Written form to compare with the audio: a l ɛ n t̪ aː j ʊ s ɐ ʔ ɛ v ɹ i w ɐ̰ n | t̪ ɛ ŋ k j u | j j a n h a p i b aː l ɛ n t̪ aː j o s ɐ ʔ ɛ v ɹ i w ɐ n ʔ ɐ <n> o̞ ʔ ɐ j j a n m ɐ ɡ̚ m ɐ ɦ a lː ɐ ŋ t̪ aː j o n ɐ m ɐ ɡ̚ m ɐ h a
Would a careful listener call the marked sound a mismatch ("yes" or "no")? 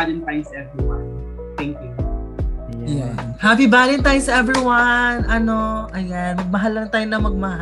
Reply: no